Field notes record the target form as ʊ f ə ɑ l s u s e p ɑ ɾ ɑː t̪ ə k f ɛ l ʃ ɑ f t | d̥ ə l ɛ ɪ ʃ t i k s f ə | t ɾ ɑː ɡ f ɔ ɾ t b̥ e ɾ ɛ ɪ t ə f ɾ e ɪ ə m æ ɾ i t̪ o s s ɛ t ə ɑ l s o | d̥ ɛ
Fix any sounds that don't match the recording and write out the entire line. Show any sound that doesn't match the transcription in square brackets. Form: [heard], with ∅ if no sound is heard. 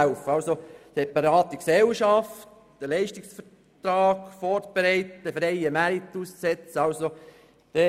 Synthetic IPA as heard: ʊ f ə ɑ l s [o] s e p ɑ ɾ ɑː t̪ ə k [s] ɛ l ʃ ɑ f t | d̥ ə l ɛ ɪ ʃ t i k s f ə | t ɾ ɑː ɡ f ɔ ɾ t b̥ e ɾ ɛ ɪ t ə f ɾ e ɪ ə m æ ɾ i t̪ [u] s s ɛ [t͡s] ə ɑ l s o | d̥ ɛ